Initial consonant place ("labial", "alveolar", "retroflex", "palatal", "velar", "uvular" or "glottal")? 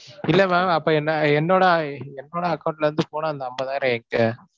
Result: alveolar